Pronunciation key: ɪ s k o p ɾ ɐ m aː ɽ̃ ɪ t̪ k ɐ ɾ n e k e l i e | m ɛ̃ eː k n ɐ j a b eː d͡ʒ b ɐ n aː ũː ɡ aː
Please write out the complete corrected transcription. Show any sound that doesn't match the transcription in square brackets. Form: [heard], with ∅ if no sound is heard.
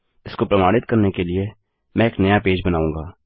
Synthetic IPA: ɪ s k o p ɾ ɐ m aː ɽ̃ ɪ t̪ k ɐ ɾ n e k e l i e | m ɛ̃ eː k n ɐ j a [p] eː d͡ʒ b ɐ n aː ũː ɡ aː